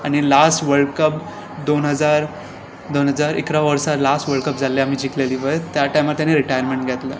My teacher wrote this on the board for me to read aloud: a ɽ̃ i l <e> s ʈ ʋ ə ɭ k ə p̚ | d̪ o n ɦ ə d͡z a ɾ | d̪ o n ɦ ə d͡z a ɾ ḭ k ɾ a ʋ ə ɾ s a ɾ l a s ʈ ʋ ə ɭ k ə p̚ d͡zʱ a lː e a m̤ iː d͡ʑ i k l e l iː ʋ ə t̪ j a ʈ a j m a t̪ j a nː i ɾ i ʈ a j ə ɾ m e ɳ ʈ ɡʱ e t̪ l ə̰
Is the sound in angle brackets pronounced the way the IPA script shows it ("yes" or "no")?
no